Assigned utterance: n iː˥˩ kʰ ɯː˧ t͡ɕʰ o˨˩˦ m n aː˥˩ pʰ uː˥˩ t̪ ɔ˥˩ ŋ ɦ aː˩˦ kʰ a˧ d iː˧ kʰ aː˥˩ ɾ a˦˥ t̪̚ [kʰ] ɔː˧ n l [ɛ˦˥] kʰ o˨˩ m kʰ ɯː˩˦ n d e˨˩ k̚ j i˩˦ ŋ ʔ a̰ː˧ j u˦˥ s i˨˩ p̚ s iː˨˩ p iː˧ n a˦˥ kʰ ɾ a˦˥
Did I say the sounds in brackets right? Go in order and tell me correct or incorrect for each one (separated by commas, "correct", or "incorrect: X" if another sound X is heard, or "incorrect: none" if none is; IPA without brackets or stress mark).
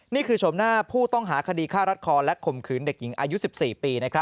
correct, correct